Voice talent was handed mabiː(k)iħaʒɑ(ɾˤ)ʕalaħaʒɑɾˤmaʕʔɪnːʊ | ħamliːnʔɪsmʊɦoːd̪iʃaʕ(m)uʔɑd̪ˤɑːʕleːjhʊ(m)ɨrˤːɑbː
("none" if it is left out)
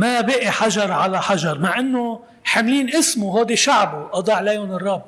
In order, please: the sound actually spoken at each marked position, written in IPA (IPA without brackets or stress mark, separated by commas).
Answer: ʔ, ɾˤ, b, n